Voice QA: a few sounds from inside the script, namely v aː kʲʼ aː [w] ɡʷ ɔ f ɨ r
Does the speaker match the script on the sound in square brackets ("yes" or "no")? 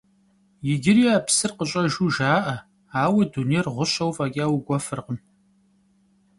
yes